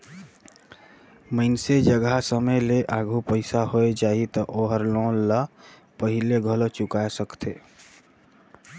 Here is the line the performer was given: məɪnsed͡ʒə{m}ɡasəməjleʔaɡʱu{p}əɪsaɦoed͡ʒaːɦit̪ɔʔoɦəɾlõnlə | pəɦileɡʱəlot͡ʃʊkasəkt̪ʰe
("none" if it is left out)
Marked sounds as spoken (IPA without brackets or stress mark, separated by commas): none, p